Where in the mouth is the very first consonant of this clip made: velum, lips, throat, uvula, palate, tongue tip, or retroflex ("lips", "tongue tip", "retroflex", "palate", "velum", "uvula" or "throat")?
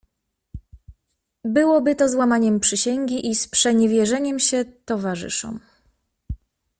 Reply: lips